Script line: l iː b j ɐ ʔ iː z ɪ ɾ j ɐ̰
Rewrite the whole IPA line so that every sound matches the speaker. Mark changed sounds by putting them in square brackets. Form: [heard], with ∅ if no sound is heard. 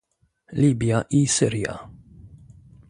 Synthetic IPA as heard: l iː b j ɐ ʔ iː [s] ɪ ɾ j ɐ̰